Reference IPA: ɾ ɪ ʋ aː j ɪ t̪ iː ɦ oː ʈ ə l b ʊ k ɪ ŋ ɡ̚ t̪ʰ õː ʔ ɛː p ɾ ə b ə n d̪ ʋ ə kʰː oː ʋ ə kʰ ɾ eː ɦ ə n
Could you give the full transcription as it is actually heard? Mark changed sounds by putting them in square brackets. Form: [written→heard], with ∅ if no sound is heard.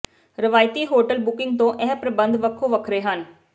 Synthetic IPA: ɾ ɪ ʋ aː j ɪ t̪ iː ɦ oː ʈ ə l b ʊ k ɪ ŋ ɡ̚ [t̪ʰ→t̪] õː ʔ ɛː p ɾ ə b ə n d̪ ʋ ə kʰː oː ʋ ə kʰ ɾ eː ɦ ə n